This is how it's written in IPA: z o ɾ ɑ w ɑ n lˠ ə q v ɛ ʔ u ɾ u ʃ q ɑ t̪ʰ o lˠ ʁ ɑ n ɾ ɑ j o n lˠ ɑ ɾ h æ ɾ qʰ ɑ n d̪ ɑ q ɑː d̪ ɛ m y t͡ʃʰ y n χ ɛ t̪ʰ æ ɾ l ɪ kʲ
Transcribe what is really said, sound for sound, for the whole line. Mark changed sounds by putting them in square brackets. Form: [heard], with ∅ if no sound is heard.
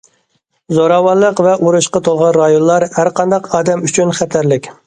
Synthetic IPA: z o ɾ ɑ w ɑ n lˠ ə q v ɛ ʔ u ɾ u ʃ q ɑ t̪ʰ o lˠ ʁ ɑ n ɾ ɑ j o n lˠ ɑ ɾ h æ ɾ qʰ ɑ n d̪ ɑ q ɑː d̪ ɛ m y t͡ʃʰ y n χ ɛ t̪ʰ æ ɾ l ɪ kʲ

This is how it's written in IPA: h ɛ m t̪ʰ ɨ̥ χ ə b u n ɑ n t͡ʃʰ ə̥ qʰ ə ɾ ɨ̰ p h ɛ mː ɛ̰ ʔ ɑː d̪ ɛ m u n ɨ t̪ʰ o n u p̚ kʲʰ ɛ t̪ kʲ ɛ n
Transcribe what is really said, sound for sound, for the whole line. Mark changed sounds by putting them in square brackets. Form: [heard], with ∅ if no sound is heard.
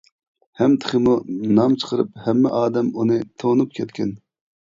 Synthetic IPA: h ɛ m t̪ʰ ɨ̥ χ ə [m] u n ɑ [m] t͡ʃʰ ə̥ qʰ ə ɾ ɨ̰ p h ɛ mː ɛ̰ ʔ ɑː d̪ ɛ m u n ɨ t̪ʰ o n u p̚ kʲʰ ɛ t̪ kʲ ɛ n

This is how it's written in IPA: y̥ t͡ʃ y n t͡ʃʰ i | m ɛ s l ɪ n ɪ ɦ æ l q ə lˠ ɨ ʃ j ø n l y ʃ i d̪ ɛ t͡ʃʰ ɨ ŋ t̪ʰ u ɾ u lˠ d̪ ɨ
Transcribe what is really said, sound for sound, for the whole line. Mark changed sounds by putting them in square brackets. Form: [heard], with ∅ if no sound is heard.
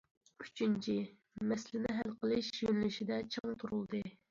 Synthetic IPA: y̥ t͡ʃ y n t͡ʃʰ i | m ɛ s l ɪ n ɪ ɦ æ l q ə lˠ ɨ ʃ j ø n l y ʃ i d̪ ɛ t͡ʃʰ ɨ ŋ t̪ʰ u ɾ u lˠ d̪ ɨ

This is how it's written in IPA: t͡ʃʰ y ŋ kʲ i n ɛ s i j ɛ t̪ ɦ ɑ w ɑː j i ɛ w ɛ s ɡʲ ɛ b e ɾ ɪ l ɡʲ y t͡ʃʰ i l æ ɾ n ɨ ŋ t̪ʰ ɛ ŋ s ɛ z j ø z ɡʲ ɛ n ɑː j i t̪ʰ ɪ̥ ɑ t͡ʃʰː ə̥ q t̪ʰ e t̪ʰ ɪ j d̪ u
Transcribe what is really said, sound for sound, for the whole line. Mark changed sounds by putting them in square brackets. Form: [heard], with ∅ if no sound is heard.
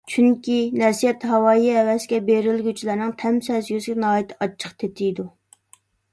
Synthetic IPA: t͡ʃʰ y ŋ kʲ i n ɛ s i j ɛ t̪ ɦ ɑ w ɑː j i ɛ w ɛ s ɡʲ ɛ b e ɾ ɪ l ɡʲ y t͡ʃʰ i l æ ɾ n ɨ ŋ t̪ʰ ɛ [m] s ɛ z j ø z ɡʲ ɛ n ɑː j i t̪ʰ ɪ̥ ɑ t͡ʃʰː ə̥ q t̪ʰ e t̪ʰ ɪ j d̪ u

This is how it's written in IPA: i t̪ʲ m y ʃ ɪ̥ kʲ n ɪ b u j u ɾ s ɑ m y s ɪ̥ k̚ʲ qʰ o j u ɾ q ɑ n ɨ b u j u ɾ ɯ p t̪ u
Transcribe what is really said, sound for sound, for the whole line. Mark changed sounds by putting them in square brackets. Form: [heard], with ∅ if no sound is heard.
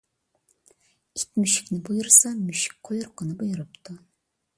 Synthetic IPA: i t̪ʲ m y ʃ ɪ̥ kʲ n ɪ b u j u ɾ s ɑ m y [ʃ] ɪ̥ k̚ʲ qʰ o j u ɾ q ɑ n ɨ b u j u ɾ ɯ p t̪ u

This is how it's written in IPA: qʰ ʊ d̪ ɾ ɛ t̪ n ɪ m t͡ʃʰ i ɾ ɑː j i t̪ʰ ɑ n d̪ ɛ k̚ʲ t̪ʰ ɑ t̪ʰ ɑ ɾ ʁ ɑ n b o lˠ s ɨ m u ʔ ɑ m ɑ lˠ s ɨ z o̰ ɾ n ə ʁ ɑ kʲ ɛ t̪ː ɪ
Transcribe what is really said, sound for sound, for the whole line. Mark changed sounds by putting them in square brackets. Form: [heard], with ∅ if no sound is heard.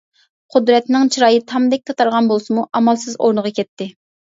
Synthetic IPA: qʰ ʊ d̪ ɾ ɛ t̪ n ɪ [ŋ] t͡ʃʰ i ɾ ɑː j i t̪ʰ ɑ [m] d̪ ɛ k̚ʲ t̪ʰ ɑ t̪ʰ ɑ ɾ ʁ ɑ n b o lˠ s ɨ m u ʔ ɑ m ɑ lˠ s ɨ z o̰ ɾ n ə ʁ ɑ kʲ ɛ t̪ː ɪ

